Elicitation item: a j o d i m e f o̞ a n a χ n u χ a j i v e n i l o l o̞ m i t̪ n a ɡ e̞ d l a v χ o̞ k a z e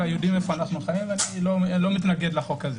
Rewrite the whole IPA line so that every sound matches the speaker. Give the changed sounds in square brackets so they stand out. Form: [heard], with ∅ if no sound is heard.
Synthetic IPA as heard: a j o d i m e f o̞ a n a χ n u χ a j i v [a] n i l o l o̞ m i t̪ n a ɡ e̞ d l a [∅] χ o̞ k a z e